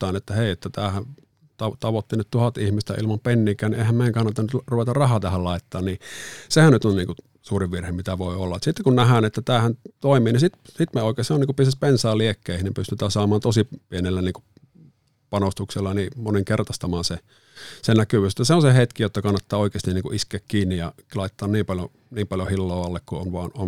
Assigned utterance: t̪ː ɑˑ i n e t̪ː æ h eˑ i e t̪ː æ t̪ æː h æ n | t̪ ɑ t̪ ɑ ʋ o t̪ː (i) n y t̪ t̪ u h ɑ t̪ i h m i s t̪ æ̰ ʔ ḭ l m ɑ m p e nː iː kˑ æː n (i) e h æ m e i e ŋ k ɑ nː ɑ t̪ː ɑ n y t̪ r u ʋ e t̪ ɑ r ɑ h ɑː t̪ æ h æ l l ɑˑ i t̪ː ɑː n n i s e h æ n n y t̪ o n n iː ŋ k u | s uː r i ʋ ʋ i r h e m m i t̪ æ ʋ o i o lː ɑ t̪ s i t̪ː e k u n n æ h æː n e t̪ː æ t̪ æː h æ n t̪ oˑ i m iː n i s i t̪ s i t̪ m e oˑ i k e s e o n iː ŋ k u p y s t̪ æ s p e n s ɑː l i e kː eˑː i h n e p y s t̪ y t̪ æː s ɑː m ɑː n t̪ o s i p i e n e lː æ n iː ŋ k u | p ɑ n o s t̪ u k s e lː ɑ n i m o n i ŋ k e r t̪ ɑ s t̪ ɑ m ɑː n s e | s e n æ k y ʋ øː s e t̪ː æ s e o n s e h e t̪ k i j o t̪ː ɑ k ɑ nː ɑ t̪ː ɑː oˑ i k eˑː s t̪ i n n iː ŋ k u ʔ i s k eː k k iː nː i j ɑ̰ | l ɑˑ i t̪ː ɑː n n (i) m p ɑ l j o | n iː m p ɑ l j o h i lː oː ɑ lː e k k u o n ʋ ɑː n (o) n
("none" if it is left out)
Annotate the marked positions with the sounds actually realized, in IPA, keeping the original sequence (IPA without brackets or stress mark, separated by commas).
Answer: i, i, iː, o